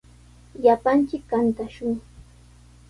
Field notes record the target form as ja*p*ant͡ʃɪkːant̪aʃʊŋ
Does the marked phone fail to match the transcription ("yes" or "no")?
no